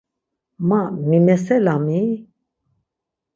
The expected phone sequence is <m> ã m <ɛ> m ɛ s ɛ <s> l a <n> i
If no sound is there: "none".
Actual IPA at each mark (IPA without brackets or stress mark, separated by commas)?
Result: m, i, none, m